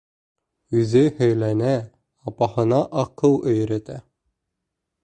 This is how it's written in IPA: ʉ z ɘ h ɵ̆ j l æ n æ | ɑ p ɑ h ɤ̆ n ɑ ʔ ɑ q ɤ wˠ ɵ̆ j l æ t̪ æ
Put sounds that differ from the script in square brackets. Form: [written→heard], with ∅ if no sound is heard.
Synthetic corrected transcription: ʉ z ɘ h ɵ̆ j l æ n æ | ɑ p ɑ h ɤ̆ n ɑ ʔ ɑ q ɤ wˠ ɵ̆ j [l→ɾ] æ t̪ æ